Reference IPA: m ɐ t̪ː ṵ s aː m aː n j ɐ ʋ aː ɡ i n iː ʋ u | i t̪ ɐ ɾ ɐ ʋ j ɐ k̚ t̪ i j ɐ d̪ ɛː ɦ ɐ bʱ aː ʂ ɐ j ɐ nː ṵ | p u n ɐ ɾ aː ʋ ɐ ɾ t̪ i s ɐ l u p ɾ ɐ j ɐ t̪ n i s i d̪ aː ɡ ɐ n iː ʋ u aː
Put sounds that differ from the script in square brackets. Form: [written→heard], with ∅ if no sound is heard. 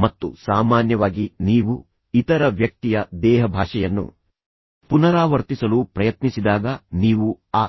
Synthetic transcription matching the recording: m ɐ t̪ː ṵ s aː m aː n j ɐ ʋ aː ɡ i n iː ʋ u | i t̪ ɐ ɾ ɐ ʋ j ɐ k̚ t̪ i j ɐ d̪ ɛː ɦ ɐ bʱ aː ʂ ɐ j ɐ nː ṵ | p u n ɐ ɾ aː ʋ ɐ ɾ t̪ i s ɐ l u p ɾ ɐ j ɐ t̪ n i s i d̪ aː ɡ ɐ n iː ʋ u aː